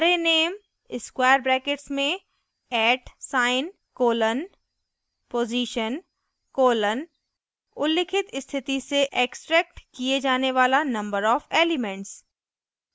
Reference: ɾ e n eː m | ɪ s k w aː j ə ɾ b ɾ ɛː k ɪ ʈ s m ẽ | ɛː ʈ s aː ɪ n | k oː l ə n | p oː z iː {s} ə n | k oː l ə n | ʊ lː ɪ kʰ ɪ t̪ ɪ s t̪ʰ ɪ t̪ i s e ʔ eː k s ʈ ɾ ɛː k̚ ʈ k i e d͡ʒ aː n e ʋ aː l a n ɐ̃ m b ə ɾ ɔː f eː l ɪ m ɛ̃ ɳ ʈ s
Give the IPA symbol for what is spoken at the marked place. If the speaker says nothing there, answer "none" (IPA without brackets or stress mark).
ʃ